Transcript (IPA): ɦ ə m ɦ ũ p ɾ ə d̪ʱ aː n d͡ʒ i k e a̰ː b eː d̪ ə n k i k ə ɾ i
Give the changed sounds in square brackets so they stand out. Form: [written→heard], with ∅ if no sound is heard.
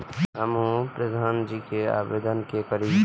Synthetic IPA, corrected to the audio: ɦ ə m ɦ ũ p ɾ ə d̪ʱ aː n d͡ʒ i k e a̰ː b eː d̪ ə n k [i→e] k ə ɾ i